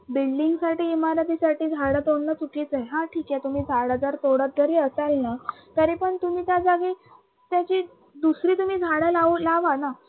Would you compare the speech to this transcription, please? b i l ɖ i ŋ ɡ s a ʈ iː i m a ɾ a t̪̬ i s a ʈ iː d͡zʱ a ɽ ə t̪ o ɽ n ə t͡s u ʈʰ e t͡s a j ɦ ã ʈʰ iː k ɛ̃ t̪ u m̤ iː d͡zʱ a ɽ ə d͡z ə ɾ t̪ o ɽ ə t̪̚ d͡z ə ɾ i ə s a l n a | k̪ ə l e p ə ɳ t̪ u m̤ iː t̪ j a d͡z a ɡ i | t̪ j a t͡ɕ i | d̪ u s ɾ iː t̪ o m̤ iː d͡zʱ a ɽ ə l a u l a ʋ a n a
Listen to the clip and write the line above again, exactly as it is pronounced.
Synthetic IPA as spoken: b i l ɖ i ŋ ɡ s a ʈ iː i m a ɾ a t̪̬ i s a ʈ iː d͡zʱ a ɽ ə t̪ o ɽ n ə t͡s u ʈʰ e t͡s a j ɦ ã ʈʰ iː k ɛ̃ t̪ u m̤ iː d͡zʱ a ɽ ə d͡z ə ɾ t̪ o ɽ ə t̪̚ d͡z ə ɾ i ə s a l n a | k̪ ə ɾ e p ə ɳ t̪ u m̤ iː t̪ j a d͡z a ɡ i | t̪ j a t͡ɕ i | d̪ u s ɾ iː t̪ u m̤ iː d͡zʱ a ɽ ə l a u l a ʋ a n a